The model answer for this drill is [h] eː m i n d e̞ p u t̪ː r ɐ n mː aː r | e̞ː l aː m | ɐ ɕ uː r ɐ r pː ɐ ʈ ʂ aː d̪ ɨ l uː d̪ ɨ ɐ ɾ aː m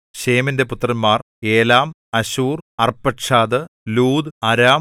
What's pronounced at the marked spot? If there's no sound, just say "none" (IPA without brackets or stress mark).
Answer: ɕ